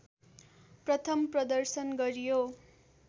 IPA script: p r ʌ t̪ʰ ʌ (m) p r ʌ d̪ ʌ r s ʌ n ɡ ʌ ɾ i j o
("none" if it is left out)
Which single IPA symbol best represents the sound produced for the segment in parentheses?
m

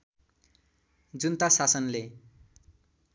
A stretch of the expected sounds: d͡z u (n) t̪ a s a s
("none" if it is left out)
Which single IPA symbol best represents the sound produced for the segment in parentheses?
n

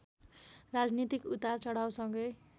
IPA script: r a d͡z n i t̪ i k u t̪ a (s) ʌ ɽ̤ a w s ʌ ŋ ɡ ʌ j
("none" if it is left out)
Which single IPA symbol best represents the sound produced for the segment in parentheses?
t͡s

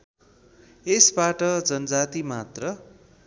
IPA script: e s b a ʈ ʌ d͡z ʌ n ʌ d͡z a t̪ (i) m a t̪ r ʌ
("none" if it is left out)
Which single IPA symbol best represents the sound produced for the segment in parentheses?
i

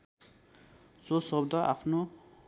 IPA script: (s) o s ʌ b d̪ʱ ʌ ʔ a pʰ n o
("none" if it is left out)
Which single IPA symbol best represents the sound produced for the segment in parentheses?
s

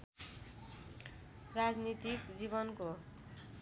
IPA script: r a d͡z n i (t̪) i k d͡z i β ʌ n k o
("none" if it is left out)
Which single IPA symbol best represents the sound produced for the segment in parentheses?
t̪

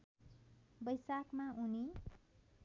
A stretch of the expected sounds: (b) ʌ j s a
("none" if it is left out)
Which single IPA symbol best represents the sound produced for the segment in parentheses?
b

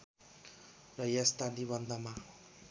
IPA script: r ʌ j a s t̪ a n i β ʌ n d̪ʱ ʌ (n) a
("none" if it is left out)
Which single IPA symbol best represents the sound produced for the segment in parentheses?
m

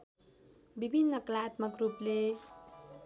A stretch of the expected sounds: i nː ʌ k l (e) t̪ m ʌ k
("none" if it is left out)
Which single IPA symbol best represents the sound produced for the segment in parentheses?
a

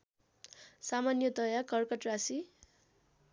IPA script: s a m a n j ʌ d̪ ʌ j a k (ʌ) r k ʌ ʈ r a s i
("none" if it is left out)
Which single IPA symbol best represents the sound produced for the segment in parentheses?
ʌ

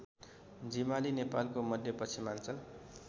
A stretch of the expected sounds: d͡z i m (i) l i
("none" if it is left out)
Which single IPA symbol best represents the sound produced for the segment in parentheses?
a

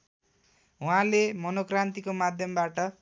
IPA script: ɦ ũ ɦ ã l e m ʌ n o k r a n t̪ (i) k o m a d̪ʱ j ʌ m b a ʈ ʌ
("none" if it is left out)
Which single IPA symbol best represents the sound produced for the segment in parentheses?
i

